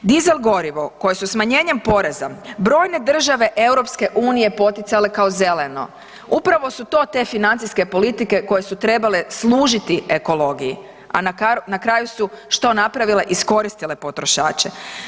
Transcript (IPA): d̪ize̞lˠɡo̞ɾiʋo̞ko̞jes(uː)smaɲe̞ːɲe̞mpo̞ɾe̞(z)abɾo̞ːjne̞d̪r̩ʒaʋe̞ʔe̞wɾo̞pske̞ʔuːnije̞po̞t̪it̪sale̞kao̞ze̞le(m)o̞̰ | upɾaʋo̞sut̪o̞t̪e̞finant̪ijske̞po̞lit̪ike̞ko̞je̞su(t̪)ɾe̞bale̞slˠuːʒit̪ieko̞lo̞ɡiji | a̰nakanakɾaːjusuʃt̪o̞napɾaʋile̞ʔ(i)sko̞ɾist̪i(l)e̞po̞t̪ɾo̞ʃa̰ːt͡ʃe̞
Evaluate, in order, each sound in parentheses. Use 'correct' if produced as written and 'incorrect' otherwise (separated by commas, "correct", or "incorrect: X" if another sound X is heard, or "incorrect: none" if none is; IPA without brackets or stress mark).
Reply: incorrect: u, correct, incorrect: n, correct, correct, correct